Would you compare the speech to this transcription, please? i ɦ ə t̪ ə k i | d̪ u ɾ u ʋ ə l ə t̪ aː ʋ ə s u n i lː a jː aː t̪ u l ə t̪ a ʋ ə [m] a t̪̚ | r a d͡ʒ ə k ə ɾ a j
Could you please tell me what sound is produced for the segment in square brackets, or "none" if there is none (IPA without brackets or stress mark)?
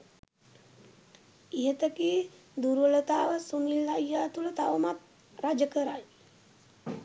m